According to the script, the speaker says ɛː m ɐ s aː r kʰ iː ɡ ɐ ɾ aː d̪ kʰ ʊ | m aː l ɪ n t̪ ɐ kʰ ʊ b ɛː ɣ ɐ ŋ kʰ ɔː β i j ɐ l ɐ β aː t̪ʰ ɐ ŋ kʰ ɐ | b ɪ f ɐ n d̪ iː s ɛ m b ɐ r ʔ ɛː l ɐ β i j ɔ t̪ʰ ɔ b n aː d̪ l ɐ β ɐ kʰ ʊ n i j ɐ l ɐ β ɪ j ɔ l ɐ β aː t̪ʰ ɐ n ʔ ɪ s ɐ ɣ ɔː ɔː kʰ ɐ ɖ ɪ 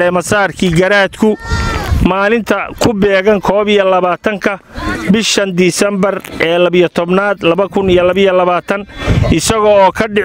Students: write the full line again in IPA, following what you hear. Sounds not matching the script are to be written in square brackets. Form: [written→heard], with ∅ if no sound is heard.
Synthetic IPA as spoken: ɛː m ɐ s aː r kʰ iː ɡ ɐ ɾ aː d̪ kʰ ʊ | m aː l ɪ n [t̪→t̪ʰ] ɐ kʰ ʊ b ɛː ɣ ɐ ŋ kʰ ɔː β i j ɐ l ɐ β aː t̪ʰ ɐ ŋ kʰ ɐ | b ɪ [f→ʃ] ɐ n d̪ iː s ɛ m b ɐ r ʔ ɛː l ɐ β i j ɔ t̪ʰ ɔ b n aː d̪ l ɐ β ɐ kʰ ʊ n i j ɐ l ɐ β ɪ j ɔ l ɐ β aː t̪ʰ ɐ n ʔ ɪ s ɐ ɣ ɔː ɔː kʰ ɐ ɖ ɪ